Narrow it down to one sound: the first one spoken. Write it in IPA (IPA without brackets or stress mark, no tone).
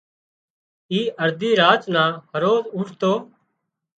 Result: iː